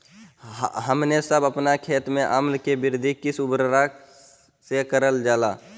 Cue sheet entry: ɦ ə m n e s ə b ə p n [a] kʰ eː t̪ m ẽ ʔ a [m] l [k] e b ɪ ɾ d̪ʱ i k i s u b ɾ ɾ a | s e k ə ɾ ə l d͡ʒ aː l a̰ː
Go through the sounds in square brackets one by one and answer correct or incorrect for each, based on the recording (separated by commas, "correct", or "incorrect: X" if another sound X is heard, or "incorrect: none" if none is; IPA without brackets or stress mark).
correct, correct, correct